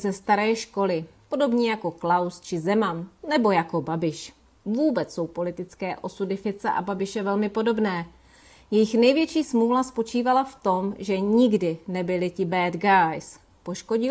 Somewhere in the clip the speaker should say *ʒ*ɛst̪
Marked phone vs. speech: incorrect: z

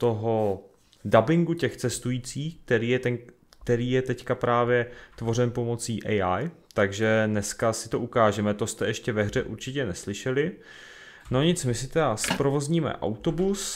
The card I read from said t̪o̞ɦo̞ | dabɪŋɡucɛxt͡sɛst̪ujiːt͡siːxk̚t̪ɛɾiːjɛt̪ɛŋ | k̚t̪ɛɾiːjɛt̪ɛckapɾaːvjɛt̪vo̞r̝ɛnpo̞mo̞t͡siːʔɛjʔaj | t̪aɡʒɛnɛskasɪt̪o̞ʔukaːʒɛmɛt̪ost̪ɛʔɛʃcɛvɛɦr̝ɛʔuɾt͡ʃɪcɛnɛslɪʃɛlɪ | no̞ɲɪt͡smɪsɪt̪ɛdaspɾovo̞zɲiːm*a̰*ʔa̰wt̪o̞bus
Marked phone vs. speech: incorrect: ɛ̰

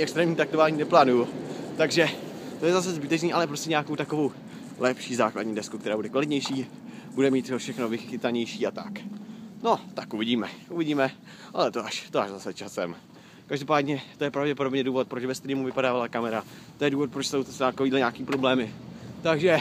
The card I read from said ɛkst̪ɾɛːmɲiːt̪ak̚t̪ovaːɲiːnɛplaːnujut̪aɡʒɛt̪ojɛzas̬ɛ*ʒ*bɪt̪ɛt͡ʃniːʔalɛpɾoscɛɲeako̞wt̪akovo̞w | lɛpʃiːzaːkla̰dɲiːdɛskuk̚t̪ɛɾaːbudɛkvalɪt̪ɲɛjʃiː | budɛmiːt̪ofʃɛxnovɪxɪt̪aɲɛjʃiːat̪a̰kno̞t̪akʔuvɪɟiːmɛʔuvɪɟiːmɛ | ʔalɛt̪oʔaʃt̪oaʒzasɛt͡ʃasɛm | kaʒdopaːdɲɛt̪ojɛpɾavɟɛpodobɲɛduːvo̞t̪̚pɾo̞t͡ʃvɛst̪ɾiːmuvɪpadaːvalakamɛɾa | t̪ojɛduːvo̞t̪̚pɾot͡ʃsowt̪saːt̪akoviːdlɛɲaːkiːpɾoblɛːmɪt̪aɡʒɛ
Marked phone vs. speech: incorrect: z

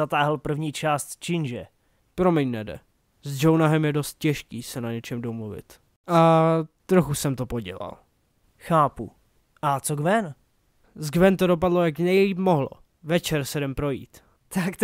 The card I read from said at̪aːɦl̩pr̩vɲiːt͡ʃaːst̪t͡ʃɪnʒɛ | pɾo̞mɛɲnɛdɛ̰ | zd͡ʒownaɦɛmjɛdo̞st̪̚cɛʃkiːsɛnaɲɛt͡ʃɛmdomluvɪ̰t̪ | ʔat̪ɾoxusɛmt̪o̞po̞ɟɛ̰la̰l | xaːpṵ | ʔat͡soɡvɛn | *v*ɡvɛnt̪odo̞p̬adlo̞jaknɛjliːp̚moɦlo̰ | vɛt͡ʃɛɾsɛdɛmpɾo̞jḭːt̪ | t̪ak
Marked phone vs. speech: incorrect: z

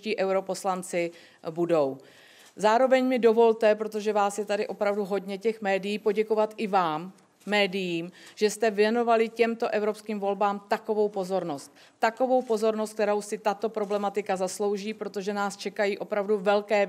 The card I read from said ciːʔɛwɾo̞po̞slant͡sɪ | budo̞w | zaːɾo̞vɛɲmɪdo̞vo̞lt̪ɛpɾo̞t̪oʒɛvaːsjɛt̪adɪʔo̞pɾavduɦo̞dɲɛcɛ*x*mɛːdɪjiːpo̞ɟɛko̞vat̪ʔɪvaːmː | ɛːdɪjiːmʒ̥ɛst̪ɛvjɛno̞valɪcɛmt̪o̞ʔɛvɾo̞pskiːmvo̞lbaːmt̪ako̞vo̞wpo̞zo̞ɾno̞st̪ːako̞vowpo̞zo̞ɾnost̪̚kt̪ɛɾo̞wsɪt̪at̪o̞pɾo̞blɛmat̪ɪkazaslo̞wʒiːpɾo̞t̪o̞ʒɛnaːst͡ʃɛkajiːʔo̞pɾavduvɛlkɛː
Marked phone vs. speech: correct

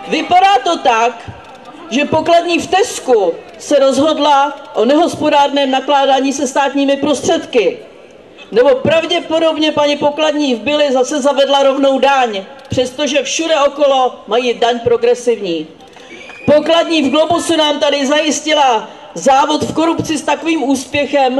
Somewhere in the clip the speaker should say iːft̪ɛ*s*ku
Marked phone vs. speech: correct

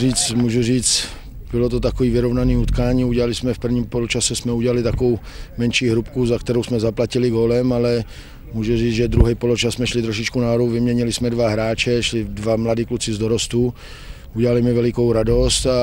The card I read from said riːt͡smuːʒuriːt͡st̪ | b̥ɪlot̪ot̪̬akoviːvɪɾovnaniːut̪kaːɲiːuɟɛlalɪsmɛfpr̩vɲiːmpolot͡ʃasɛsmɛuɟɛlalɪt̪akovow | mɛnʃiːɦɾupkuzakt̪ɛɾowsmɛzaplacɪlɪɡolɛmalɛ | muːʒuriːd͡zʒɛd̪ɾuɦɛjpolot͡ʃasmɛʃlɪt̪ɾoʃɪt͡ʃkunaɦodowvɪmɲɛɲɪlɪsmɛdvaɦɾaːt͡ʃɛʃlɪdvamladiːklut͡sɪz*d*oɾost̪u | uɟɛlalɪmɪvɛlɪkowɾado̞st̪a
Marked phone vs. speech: correct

